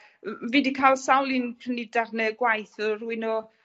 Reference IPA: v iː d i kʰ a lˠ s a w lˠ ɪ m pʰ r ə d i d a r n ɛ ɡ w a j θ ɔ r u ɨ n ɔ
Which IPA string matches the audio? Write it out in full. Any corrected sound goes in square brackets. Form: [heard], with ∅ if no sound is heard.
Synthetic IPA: v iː d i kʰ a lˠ s a w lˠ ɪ [n] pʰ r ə [n] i d a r n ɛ ɡ w a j θ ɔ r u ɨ n ɔ